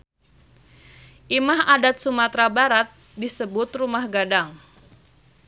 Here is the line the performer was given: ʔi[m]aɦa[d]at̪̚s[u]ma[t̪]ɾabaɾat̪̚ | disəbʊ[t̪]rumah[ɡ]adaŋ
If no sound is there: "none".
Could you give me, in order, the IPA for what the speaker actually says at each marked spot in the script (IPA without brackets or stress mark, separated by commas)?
m, d, u, t̪, t̪, ɡ